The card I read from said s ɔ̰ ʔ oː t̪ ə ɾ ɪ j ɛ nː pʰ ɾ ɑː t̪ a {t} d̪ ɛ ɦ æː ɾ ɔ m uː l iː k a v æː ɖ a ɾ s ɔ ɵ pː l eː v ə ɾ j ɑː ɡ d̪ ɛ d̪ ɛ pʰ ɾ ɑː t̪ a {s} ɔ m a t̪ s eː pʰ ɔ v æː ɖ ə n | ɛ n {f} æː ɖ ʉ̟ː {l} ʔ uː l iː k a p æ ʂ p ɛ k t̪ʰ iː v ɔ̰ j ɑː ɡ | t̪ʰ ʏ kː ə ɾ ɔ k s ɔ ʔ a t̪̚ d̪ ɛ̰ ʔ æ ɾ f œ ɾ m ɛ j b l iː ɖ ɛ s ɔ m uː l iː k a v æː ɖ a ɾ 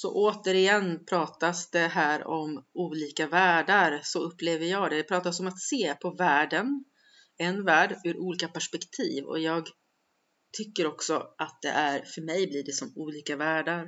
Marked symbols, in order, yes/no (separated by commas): no, yes, no, no